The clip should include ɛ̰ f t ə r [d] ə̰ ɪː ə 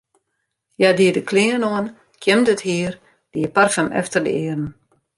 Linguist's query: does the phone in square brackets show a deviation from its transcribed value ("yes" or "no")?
no